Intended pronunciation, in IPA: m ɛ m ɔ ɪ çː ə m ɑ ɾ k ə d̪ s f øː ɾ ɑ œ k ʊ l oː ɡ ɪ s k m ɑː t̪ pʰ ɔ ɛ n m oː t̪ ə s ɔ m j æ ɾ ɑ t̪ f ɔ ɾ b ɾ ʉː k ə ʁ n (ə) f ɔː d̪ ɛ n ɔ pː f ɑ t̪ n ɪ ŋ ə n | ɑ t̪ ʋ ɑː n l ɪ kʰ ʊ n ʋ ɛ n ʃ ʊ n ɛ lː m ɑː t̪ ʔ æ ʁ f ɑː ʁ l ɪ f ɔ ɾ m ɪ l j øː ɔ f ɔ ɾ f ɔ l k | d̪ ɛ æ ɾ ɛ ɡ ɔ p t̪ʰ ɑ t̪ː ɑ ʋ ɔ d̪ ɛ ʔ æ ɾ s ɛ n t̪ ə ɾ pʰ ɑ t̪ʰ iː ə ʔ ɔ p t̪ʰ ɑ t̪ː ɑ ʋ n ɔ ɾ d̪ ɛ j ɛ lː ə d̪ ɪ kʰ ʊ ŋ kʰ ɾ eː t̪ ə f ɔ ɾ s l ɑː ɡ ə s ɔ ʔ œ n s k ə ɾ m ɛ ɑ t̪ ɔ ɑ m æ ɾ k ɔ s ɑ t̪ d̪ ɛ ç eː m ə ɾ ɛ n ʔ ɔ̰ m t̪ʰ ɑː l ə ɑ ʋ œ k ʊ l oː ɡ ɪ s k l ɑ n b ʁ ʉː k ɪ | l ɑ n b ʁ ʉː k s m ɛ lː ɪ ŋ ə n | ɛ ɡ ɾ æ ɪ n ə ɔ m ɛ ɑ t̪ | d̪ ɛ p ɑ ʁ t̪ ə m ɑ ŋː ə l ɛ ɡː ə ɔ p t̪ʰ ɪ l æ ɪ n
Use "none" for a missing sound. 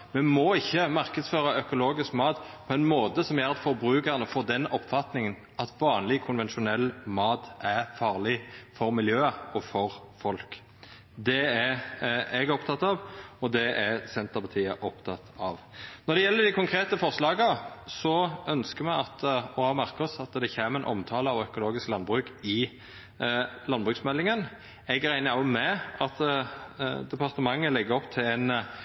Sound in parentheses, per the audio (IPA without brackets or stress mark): ə